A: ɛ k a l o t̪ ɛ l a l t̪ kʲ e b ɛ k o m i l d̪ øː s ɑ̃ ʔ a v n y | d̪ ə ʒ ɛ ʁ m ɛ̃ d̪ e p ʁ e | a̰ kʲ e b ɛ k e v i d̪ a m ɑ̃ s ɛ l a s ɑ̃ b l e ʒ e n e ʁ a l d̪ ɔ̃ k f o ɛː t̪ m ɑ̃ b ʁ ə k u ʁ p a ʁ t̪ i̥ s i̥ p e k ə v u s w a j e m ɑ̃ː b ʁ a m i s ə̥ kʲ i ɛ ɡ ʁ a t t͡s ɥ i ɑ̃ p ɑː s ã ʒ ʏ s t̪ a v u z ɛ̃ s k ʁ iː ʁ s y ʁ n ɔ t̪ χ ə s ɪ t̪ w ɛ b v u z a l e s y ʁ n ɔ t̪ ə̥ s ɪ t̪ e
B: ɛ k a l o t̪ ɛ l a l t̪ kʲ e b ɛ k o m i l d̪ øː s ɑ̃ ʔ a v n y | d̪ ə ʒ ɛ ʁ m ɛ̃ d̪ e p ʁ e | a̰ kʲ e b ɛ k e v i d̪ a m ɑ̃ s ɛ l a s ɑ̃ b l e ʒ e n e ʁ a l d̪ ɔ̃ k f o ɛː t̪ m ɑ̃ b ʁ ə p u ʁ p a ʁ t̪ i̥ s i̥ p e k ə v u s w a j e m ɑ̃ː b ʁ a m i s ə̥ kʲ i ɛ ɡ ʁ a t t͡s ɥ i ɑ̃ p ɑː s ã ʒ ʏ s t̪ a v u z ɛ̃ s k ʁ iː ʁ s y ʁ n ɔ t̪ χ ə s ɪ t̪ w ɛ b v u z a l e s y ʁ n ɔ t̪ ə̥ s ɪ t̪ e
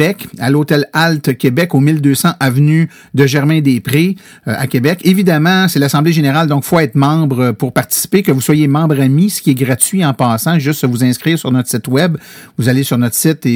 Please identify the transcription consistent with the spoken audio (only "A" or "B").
B